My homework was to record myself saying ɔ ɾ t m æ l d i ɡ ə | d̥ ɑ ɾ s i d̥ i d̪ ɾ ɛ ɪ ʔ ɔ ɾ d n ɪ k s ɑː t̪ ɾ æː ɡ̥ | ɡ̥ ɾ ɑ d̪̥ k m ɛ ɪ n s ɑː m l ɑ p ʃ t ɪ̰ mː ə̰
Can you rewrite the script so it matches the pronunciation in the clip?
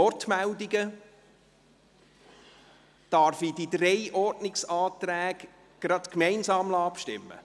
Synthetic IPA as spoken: ɔ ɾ t m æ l d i ɡ ə | d̥ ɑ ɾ f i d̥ i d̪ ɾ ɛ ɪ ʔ ɔ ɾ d n ɪ k s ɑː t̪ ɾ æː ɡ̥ | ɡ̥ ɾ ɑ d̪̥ k m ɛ ɪ n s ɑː m l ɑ p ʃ t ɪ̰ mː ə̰